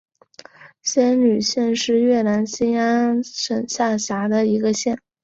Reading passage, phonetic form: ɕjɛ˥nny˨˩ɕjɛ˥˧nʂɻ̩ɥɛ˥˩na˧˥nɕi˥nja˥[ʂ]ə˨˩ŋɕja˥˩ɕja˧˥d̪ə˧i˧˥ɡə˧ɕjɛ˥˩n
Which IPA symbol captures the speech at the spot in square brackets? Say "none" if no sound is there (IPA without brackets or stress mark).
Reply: ʂ